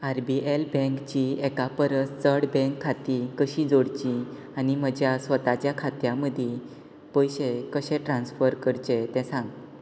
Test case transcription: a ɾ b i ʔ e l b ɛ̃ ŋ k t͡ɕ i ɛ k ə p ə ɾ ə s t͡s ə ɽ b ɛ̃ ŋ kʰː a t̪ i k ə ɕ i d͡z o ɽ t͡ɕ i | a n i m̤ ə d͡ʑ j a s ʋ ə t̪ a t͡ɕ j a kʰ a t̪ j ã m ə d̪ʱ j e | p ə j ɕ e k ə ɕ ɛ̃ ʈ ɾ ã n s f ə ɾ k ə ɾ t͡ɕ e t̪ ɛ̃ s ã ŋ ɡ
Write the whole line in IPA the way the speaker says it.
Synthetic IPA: a ɾ b i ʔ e l b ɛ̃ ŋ k t͡ɕ i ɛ k a p ə ɾ ə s t͡s ə ɽ b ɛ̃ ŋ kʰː a t̪ i k ə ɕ i d͡z o ɽ t͡ɕ i | a n i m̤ ə d͡ʑ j a s ʋ ə t̪ a t͡ɕ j a kʰ a t̪ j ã m ə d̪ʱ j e | p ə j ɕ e k ə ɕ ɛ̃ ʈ ɾ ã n s f ə ɾ k ə ɾ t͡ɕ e t̪ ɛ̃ s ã ŋ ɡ